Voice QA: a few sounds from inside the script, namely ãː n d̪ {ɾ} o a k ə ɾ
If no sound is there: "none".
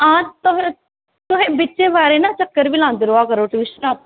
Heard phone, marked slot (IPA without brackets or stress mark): ɾ